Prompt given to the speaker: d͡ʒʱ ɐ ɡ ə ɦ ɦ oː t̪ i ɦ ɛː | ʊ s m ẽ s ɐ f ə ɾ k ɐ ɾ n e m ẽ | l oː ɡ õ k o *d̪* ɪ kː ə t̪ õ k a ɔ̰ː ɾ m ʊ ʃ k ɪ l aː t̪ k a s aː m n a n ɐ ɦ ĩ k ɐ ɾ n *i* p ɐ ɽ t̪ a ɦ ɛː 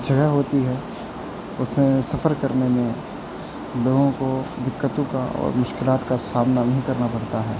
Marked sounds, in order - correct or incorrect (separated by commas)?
correct, incorrect